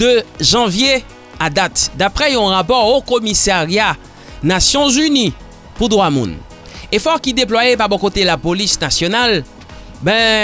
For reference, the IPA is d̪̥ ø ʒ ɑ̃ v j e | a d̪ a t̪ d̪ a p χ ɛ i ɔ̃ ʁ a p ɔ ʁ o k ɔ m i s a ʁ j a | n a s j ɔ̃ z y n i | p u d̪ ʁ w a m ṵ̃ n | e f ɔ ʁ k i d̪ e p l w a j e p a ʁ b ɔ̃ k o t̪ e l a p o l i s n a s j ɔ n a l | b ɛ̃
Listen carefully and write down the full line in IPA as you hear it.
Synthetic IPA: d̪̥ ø ʒ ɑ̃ v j e | a d̪ a t̪ d̪ a p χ ɛ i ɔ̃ ʁ a p ɔ ʁ o k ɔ m i s a ʁ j a | n a s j ɔ̃ z y n i | p u d̪ ʁ w a m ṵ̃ n | e f ɔ ʁ k i d̪ e p l w a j e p a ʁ b ɔ̃ k o t̪ e l a p o l i s n a s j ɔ n a l | b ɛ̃